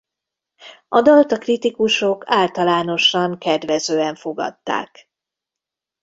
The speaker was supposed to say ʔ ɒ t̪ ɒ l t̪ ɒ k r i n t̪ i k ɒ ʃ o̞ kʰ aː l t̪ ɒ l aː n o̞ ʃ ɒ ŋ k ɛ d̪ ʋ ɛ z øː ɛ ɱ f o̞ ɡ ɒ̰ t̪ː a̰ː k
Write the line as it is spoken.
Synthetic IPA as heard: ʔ ɒ d̪ ɒ l t̪ ɒ k r i t̪ i k u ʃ o̞ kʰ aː l t̪ ɒ l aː n o̞ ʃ ɒ ŋ k ɛ d̪ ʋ ɛ z øː ɛ ɱ f o̞ ɡ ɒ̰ t̪ː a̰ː k